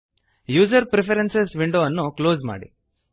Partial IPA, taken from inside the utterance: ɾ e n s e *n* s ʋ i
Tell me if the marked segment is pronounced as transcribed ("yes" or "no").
no